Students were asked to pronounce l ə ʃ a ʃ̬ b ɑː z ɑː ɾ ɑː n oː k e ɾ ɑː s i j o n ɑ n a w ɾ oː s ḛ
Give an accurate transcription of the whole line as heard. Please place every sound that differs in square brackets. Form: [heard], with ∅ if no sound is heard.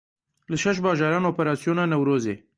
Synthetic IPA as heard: l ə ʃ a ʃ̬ b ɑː [ʒ] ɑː ɾ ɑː n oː [p] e ɾ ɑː s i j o n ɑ n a w ɾ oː [z] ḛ

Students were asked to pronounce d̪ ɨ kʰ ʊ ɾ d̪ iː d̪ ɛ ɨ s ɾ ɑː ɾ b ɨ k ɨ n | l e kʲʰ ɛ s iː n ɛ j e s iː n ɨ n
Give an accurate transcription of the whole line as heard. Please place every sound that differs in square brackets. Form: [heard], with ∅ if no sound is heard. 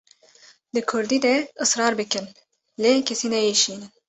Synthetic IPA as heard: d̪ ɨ kʰ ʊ ɾ d̪ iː d̪ ɛ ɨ s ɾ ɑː ɾ b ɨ k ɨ n | l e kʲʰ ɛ s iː n ɛ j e [ʃ] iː n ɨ n

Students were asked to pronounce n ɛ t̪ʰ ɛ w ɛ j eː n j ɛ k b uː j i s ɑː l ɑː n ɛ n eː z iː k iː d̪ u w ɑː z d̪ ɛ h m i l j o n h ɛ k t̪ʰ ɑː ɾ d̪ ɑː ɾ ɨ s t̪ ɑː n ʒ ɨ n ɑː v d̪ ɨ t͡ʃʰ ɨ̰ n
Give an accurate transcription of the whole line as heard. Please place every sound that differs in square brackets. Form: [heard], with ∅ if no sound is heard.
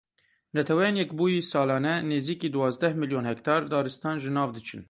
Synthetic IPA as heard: n ɛ t̪ʰ ɛ w ɛ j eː n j ɛ k b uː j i s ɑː l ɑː n ɛ n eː z iː k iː d̪ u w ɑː z d̪ ɛ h m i l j o n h ɛ k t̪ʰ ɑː ɾ d̪ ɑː ɾ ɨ s t̪ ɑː n ʒ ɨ n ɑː v d̪ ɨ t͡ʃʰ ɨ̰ n

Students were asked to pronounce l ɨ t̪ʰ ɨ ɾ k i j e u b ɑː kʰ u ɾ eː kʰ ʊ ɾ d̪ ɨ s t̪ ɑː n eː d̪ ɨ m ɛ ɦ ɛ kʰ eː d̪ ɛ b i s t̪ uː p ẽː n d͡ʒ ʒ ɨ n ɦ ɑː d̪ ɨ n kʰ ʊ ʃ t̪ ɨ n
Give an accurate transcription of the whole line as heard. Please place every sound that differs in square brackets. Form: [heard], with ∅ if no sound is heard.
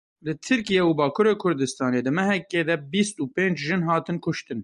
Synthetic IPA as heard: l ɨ t̪ʰ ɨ ɾ k i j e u b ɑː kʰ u ɾ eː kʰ ʊ ɾ d̪ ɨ s t̪ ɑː n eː d̪ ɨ m ɛ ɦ ɛ [k] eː d̪ ɛ b i s t̪ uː p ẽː n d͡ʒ ʒ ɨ n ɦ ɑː [t̪] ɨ n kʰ ʊ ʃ t̪ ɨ n

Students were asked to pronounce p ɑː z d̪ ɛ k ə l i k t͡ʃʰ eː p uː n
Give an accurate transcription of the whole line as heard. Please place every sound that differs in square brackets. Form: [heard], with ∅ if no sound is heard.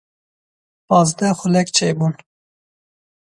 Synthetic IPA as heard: p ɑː z d̪ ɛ [x] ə l [ɛ] k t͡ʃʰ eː [b] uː n

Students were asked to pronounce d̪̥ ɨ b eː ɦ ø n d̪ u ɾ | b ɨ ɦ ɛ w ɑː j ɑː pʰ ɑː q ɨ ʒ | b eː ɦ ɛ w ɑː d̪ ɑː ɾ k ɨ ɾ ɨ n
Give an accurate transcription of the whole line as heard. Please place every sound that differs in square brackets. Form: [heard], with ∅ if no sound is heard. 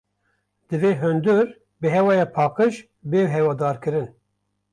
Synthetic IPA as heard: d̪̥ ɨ [v] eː ɦ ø n d̪ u ɾ | b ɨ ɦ ɛ w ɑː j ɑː pʰ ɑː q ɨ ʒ | b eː ɦ ɛ w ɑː d̪ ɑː ɾ k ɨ ɾ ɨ n

